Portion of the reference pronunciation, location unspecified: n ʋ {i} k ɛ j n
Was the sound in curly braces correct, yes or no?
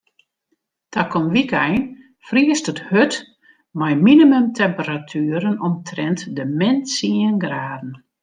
yes